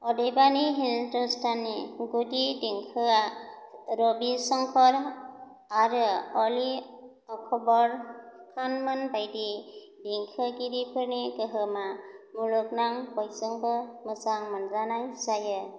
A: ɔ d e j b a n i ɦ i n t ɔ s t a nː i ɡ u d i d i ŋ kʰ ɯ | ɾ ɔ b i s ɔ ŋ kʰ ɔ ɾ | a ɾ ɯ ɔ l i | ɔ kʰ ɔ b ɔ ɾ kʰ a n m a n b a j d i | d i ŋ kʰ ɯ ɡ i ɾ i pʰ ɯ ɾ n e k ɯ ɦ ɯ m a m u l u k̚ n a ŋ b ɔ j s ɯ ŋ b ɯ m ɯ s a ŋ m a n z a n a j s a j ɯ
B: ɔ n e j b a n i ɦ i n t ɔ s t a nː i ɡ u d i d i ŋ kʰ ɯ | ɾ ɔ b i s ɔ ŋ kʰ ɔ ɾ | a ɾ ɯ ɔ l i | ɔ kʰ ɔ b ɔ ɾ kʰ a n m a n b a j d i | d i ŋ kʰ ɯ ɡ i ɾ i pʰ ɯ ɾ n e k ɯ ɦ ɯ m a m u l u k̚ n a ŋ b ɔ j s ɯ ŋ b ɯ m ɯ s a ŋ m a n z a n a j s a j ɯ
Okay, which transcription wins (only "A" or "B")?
A